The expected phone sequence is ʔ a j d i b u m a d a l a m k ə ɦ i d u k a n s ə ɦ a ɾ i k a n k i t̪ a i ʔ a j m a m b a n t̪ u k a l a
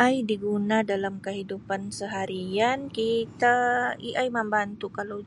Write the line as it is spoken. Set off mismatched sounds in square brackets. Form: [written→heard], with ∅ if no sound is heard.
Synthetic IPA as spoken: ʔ a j d i [b→ɡ] u [m→n] a d a l a m k ə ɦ i d u [k→p] a n s ə ɦ a ɾ i [k→∅] a n k i t̪ a i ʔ a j m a m b a n t̪ u k a l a